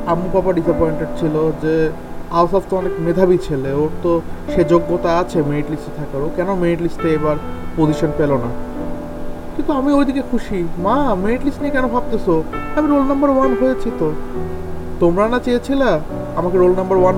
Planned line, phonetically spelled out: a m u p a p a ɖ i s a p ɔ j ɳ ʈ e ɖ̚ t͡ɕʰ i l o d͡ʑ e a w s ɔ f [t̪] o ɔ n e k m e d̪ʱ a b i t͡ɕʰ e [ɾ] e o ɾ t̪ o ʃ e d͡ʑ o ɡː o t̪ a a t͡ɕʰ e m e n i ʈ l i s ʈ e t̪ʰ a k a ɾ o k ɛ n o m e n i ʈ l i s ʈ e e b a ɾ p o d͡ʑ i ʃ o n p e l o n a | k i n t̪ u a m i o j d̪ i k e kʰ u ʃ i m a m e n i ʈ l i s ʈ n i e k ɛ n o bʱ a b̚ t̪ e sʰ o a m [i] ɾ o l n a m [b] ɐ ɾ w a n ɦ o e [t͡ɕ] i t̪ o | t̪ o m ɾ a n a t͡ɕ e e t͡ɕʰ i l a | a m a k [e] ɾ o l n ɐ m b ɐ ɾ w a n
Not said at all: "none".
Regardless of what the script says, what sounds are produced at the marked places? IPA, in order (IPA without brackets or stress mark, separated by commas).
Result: t̪, l, i, b, t͡ɕʰ, e